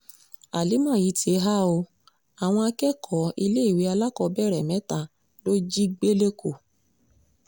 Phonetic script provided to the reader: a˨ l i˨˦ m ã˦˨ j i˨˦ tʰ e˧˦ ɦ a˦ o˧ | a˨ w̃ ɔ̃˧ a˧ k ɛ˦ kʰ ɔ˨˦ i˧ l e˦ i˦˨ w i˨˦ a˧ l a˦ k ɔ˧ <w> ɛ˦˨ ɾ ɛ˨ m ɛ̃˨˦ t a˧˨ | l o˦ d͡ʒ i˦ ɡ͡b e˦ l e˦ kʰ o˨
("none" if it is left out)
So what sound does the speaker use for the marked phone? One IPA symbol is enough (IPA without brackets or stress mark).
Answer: b